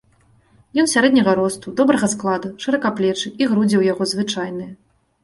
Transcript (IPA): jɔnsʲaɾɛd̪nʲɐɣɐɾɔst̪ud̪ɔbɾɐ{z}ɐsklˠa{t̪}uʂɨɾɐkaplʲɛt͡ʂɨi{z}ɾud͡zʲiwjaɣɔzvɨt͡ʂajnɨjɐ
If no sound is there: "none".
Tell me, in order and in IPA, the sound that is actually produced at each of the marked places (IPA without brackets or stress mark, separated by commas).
ɣ, d̪, ɣ